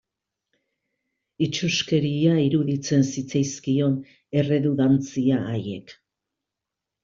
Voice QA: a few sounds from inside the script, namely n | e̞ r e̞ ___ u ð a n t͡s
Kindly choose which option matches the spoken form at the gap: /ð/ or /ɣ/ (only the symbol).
ð